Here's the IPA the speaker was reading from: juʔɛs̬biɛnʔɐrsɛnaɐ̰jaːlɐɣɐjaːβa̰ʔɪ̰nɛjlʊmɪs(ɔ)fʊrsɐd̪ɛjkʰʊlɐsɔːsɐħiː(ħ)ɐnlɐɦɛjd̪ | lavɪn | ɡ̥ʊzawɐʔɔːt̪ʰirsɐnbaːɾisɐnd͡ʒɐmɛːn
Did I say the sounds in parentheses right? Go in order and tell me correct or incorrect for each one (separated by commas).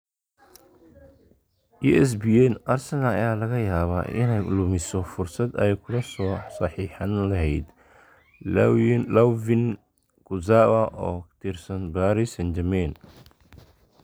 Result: correct, correct